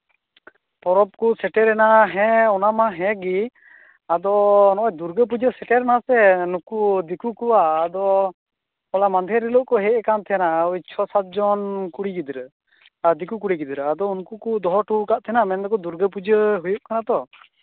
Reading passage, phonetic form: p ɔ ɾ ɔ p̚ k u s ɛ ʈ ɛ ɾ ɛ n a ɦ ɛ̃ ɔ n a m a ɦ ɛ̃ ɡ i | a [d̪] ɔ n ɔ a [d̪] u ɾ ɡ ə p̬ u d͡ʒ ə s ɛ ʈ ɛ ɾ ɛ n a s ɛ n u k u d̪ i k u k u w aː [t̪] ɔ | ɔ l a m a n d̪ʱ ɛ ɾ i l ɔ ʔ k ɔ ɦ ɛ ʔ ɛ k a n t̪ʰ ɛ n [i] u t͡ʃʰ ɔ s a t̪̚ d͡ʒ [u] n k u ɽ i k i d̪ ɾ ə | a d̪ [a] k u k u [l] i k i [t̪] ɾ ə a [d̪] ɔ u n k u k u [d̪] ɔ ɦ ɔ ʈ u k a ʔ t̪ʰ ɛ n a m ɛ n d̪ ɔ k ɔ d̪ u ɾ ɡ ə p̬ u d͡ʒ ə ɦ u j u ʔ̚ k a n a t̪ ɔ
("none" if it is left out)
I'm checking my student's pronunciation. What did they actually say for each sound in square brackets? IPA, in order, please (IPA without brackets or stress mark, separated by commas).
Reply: d̪, d̪, d̪, a, ɔ, i, ɽ, d̪, d̪, d̪